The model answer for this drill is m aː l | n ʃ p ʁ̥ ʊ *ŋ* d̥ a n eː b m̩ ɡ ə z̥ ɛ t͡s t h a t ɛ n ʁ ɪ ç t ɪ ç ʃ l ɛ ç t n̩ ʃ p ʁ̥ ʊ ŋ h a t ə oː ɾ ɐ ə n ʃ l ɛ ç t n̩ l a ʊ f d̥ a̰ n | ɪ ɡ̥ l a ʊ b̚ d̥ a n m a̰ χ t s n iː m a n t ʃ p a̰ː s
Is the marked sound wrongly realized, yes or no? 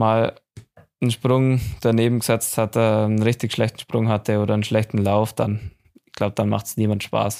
no